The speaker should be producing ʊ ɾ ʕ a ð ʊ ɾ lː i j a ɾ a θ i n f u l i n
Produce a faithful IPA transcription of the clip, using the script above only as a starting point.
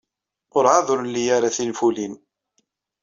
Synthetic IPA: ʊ ɾ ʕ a ð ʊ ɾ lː i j a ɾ a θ i n f u l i n